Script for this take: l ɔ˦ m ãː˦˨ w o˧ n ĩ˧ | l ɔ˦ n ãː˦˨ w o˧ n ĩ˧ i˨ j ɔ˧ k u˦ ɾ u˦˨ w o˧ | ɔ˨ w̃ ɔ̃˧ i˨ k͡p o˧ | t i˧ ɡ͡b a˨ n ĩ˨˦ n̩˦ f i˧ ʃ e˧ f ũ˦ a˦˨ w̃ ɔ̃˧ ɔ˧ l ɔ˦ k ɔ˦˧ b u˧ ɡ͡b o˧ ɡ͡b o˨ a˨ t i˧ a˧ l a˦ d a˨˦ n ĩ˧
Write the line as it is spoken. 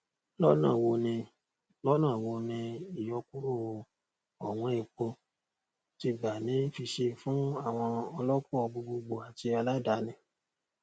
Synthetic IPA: l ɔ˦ n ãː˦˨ w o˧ n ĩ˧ | l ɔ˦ n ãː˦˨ w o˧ n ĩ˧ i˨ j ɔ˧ k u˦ ɾ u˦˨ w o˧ | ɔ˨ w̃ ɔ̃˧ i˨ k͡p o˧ | t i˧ ɡ͡b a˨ n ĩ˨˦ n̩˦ f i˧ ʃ e˧ f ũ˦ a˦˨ w̃ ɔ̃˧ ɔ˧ l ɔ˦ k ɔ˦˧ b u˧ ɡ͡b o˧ ɡ͡b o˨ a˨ t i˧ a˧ l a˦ d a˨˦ n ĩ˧